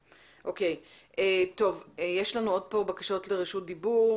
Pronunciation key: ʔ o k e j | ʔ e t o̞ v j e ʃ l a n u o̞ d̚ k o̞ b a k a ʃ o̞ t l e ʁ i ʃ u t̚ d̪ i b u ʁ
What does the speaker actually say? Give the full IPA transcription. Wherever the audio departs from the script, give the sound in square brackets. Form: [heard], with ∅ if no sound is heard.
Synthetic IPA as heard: ʔ o k e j | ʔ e t o̞ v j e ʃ l a n u o̞ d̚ [p] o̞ b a k a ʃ o̞ t l e ʁ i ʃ u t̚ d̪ i b u ʁ